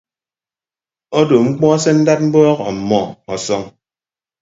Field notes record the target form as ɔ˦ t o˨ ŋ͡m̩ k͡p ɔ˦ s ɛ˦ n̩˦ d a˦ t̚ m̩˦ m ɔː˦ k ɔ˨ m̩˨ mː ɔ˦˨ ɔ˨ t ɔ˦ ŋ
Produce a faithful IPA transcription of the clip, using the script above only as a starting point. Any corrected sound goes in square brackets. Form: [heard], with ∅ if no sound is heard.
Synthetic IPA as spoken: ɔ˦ [d] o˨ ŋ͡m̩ k͡p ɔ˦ s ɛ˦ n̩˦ d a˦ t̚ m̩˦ [b] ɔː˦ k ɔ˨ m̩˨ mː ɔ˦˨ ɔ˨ [s] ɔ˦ ŋ